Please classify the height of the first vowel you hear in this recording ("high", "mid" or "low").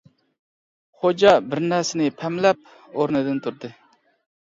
mid